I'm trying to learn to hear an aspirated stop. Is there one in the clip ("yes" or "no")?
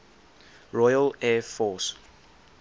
no